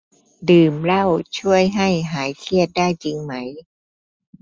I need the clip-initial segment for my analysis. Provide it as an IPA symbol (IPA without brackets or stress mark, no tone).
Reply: d